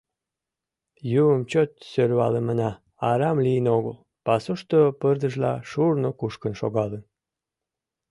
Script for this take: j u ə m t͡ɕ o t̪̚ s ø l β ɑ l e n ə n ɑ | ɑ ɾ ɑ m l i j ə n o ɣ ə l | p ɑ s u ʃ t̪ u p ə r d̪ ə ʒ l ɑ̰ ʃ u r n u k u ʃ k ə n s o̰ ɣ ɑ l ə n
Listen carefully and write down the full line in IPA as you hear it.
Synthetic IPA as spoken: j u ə m t͡ɕ o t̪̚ s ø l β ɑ l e m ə n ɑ | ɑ ɾ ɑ m l i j ə n o ɣ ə l | p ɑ s u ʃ t̪ o p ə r d̪ ə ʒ l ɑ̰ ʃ u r n o k u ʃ k ə n ʃ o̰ ɣ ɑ l ə n